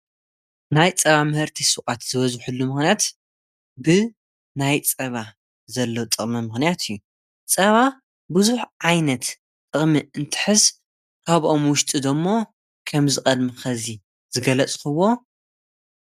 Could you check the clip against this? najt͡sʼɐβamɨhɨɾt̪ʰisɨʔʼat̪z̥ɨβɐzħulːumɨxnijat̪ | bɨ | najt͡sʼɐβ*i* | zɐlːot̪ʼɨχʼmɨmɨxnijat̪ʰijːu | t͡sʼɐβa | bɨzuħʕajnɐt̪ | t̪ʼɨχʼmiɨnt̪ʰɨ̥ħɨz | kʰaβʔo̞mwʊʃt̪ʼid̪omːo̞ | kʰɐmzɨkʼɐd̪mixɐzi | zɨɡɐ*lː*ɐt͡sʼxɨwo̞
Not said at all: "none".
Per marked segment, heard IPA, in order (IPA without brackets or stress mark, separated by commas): a, l